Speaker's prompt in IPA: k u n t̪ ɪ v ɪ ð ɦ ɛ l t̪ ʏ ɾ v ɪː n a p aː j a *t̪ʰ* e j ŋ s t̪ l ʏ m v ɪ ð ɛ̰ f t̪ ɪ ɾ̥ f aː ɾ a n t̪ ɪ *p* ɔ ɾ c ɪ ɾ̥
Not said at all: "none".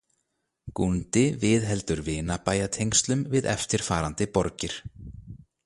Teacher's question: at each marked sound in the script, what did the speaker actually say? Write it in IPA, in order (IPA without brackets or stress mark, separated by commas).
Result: t̪ʰ, p